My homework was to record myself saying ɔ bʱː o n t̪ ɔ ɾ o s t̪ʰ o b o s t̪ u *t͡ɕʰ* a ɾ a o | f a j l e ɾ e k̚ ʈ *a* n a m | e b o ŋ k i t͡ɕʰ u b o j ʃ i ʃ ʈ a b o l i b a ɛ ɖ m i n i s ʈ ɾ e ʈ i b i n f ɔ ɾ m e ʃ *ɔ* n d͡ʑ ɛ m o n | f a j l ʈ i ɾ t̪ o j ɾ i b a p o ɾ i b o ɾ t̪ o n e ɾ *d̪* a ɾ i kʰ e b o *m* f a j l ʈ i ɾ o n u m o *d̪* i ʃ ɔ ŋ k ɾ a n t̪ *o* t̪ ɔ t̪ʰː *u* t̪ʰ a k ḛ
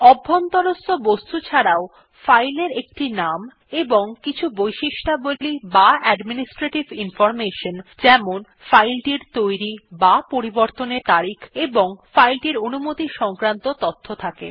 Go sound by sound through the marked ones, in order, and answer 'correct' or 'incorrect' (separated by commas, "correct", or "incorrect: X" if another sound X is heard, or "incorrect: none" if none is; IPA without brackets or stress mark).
correct, incorrect: i, incorrect: o, incorrect: t̪, incorrect: ŋ, incorrect: t̪, correct, incorrect: o